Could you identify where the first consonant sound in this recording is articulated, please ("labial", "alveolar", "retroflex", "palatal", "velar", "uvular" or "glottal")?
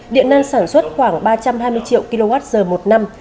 alveolar